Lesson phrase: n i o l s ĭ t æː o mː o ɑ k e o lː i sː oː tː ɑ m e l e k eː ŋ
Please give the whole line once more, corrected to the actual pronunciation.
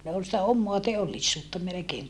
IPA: n e o l s ĭ t æ o mː o ɑ t e o lː i sː uː tː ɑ m e l e k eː ŋ